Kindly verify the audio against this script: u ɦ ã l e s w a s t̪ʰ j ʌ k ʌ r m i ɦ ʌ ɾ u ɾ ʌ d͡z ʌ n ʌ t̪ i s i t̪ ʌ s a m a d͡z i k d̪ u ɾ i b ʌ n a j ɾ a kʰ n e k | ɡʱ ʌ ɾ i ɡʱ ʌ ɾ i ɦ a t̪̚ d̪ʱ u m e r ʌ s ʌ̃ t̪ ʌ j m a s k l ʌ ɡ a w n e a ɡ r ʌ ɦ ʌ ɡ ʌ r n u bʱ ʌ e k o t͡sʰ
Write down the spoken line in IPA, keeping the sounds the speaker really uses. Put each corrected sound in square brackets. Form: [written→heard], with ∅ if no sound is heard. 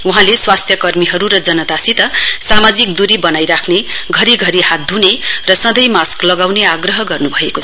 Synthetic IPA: u ɦ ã l e s w a s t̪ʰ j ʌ k ʌ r m i ɦ ʌ ɾ u ɾ ʌ d͡z ʌ n ʌ t̪ [i→a] s i t̪ ʌ s a m a d͡z i k d̪ u ɾ i b ʌ n a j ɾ a kʰ n e [k→∅] | ɡʱ ʌ ɾ i ɡʱ ʌ ɾ i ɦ a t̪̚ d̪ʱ u [m→n] e r ʌ s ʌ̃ [t̪→d̪] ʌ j m a s k l ʌ ɡ a w n e a ɡ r ʌ ɦ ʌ ɡ ʌ r n u bʱ ʌ e k o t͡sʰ